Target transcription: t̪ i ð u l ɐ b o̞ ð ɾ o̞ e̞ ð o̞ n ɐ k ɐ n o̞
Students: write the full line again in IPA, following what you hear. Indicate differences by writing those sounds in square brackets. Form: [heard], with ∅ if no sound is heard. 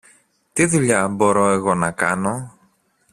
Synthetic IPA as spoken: t̪ i ð u [ʎ] ɐ b o̞ [∅] ɾ o̞ e̞ [ɣ] o̞ n ɐ k ɐ n o̞